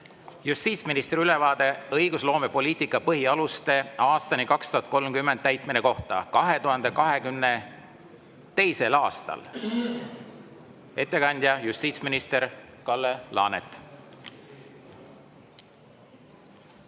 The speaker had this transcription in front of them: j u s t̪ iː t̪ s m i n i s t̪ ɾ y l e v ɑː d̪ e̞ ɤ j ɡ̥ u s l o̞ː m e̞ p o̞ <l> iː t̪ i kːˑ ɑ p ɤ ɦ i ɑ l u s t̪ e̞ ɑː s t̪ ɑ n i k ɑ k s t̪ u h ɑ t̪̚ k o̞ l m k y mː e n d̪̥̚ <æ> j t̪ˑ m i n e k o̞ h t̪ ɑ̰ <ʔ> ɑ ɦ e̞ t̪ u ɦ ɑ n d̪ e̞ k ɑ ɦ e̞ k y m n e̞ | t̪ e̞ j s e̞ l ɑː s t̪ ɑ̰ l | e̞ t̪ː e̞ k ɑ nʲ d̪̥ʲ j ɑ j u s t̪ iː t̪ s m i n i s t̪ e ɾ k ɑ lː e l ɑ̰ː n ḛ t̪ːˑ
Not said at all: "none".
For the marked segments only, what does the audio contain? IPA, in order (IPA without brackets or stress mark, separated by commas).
l, æ, k